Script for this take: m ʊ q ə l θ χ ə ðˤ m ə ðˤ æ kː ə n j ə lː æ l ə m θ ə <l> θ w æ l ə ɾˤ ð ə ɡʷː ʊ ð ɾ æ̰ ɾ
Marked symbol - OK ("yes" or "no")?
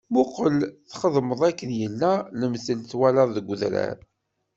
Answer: yes